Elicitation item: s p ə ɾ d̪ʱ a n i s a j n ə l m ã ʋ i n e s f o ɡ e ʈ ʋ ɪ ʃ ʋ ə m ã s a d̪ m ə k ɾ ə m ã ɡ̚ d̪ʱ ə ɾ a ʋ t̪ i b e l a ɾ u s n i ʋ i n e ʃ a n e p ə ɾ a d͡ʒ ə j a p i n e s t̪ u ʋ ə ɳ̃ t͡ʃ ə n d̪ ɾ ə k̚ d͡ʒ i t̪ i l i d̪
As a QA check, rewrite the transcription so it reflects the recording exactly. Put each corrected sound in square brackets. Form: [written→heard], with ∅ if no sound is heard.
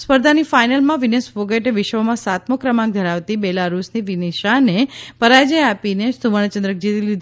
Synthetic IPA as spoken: s p ə ɾ d̪ʱ a n i [s→f] a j n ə l m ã ʋ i n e s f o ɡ e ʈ ʋ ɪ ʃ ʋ ə m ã s a [d̪→t̪] m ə k ɾ ə m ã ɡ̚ d̪ʱ ə ɾ a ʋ t̪ i b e l a ɾ u s n i ʋ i n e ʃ a n e p ə ɾ a d͡ʒ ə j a p i n e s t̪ u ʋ ə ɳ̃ t͡ʃ ə n d̪ ɾ ə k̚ d͡ʒ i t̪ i l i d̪